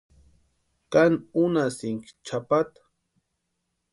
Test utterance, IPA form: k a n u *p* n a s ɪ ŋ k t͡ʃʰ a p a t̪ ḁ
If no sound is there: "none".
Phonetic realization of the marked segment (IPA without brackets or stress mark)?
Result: none